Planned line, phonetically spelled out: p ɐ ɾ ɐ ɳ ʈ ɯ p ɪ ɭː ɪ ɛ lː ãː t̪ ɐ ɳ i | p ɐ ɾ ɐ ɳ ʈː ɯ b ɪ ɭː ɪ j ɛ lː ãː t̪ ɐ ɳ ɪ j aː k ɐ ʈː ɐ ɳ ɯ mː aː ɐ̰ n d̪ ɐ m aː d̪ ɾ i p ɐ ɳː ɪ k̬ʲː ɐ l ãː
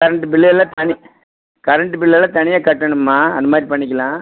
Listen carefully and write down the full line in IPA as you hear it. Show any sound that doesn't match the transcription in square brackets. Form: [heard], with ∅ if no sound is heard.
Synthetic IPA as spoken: [k] ɐ ɾ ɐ ɳ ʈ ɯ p ɪ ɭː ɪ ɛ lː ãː t̪ ɐ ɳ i | [k] ɐ ɾ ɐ ɳ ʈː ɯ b ɪ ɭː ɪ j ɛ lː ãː t̪ ɐ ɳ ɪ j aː k ɐ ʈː ɐ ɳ ɯ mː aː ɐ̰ n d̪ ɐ m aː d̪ ɾ i p ɐ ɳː ɪ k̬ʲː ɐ l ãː